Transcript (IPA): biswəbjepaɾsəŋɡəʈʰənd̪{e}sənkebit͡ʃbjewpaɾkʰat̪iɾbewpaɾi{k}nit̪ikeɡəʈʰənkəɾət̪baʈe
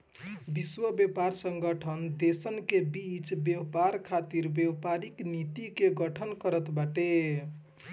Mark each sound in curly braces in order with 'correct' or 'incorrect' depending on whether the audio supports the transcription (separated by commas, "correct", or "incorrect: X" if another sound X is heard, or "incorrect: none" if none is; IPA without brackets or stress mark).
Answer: correct, correct